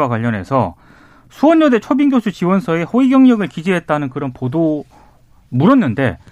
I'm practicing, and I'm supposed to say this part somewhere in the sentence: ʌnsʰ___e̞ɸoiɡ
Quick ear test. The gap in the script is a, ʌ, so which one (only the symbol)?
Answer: ʌ